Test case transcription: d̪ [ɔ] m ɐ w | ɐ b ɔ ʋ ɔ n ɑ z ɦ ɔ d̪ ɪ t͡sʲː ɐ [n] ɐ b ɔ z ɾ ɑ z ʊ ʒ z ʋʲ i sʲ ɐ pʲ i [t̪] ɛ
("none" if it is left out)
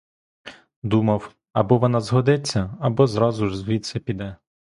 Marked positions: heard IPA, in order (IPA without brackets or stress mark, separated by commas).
u, none, d̪